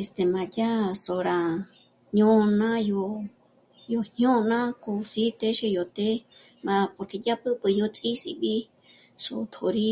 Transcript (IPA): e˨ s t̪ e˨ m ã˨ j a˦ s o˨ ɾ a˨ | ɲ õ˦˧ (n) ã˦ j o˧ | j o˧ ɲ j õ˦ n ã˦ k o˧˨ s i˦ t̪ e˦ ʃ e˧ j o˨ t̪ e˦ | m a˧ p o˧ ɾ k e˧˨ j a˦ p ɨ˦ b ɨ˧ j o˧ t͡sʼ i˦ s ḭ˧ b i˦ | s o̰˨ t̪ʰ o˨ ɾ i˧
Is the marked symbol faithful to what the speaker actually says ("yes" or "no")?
yes